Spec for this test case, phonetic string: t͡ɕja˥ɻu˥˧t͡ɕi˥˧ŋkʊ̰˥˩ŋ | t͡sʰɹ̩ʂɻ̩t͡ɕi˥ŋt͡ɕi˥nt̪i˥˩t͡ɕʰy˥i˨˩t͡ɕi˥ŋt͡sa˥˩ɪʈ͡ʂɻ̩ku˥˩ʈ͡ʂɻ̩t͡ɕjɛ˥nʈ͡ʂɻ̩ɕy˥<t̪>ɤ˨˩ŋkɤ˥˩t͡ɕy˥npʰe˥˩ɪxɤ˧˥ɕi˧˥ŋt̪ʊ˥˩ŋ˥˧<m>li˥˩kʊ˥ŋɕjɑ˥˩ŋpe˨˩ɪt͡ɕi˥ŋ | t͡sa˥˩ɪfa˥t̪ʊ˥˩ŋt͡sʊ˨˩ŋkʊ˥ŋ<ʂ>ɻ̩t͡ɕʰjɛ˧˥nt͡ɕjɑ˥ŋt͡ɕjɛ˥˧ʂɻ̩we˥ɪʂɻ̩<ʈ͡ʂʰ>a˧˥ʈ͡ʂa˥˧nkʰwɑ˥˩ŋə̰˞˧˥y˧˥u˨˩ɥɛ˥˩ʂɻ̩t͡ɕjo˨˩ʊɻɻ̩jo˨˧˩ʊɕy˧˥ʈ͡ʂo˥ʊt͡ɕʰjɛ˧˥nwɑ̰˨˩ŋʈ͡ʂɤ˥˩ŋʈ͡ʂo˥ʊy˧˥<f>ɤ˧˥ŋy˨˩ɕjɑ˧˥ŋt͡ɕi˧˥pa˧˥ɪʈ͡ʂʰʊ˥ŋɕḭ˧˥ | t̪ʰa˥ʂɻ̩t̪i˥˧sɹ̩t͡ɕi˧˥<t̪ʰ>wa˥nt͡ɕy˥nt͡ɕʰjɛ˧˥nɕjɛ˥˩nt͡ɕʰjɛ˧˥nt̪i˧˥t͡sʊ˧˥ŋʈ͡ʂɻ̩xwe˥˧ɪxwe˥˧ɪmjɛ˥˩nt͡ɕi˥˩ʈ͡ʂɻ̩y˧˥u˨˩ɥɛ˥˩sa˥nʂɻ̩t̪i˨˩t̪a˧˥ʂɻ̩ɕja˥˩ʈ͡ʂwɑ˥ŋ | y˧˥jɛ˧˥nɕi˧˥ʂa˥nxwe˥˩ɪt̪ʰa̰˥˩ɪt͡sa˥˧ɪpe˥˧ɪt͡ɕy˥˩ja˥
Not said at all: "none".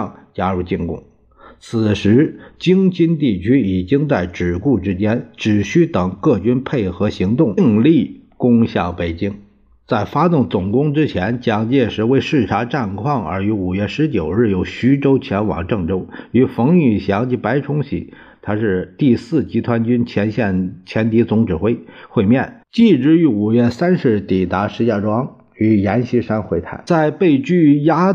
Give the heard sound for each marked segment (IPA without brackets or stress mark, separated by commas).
t̪, ŋ, ʈ͡ʂ, ʈ͡ʂʰ, f, t̪ʰ